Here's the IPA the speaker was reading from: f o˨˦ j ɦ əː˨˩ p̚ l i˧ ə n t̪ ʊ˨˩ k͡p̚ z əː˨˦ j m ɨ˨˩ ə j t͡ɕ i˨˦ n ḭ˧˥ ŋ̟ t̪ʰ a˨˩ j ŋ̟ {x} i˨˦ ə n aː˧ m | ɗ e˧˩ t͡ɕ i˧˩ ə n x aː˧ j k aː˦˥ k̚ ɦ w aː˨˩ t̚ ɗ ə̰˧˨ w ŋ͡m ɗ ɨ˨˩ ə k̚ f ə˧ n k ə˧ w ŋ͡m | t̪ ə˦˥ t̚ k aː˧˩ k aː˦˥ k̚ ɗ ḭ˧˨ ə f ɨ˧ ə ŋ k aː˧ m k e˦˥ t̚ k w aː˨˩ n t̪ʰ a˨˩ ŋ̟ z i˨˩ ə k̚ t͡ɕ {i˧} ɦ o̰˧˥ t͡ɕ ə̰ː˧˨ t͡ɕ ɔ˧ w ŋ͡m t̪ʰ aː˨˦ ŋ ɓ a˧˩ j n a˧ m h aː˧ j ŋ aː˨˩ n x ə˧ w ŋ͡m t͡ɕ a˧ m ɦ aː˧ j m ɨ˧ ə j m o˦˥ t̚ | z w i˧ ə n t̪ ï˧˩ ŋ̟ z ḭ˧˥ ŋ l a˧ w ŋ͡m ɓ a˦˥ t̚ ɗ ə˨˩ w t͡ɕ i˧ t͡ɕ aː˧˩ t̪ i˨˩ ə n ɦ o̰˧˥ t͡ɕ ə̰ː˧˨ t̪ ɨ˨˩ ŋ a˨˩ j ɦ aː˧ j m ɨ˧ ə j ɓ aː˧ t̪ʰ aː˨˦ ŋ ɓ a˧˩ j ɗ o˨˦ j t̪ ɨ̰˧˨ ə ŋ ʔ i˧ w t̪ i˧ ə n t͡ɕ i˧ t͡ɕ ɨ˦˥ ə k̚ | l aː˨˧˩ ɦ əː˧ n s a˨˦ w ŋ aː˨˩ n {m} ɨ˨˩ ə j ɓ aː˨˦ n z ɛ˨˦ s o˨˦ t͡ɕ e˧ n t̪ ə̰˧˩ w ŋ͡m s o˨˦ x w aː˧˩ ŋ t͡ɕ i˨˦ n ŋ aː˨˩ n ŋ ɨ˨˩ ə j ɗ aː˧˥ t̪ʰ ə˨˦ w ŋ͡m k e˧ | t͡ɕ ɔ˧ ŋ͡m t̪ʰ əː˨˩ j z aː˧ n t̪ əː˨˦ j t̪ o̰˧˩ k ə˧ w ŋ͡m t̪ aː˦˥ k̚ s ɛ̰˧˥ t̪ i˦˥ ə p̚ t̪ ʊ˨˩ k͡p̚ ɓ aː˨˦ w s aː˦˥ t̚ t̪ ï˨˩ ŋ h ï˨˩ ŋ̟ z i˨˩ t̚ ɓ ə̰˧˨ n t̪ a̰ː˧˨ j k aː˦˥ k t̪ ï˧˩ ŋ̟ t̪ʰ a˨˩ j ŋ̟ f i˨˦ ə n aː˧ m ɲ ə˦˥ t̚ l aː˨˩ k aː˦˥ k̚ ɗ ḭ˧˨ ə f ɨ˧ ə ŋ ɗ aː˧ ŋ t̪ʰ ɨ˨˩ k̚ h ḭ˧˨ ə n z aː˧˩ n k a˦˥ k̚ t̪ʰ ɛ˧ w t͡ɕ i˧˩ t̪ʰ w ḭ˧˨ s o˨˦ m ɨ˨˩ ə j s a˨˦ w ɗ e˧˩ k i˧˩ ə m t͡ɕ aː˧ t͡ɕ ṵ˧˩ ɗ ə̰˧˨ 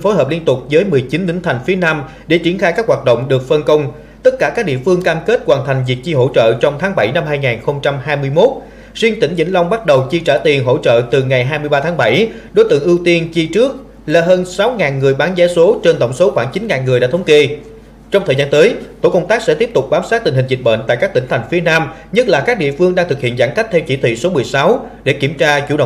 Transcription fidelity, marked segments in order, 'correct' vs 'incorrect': incorrect: f, correct, incorrect: ŋ

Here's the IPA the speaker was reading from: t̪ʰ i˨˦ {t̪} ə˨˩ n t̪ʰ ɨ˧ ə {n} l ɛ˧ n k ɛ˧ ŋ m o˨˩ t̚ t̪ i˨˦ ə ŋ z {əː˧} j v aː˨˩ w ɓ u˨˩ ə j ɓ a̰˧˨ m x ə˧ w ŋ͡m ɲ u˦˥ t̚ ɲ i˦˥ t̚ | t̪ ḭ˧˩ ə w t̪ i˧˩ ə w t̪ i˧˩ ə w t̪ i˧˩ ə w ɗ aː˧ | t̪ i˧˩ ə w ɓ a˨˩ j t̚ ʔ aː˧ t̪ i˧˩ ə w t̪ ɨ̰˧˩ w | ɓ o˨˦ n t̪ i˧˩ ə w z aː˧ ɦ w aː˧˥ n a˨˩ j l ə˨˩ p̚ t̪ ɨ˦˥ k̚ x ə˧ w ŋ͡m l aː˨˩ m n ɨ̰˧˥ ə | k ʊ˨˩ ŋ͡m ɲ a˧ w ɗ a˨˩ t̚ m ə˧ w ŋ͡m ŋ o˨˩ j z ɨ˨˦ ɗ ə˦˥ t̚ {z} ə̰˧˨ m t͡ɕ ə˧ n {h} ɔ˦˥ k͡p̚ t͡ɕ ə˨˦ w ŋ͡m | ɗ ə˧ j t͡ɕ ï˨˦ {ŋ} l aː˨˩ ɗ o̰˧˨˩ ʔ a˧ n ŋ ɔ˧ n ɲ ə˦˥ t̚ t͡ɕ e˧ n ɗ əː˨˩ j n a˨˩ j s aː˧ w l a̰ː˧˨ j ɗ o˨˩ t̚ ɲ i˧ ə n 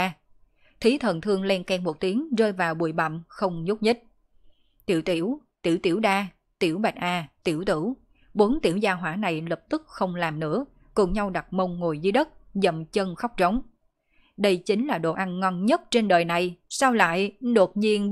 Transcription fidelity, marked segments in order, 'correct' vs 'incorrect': incorrect: t̪ʰ, incorrect: ŋ, correct, correct, incorrect: x, correct

